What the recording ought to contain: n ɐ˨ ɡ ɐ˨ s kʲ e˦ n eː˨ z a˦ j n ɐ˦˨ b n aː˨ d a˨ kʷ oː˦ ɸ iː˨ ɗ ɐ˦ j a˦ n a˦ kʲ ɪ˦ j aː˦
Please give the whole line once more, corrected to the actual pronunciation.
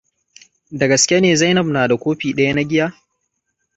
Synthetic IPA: d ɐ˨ ɡ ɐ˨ s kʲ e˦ n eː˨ z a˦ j n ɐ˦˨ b n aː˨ d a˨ kʷ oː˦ ɸ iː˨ ɗ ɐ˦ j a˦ n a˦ ɡʲ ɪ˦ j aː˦